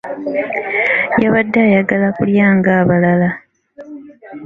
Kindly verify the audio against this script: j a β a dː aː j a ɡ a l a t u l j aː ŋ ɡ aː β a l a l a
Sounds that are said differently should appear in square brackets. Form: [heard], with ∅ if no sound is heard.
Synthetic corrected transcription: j a β a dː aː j a ɡ a l a [k] u l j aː ŋ ɡ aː β a l a l a